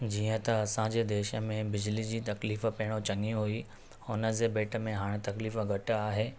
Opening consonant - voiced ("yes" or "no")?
yes